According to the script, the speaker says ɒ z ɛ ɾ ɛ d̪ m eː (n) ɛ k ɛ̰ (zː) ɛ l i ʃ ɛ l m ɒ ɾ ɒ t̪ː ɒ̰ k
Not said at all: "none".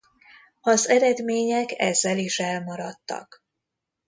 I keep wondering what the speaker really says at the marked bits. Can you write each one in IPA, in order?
ɲ, zː

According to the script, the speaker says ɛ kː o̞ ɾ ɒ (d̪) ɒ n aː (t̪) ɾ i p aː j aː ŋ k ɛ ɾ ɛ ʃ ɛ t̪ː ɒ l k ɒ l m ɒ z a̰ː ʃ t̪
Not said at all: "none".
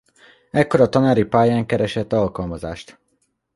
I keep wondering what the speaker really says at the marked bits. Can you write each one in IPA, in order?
t̪, none

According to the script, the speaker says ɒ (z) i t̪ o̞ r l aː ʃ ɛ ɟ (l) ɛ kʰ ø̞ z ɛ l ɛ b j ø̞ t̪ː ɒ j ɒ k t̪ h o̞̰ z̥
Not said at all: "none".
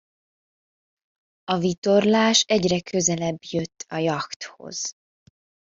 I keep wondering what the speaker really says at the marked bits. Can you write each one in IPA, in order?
v, r

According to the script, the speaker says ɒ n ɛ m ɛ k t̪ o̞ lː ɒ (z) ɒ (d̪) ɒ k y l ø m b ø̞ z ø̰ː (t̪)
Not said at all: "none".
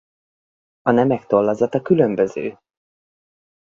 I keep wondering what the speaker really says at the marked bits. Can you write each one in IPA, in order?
z, t̪, none

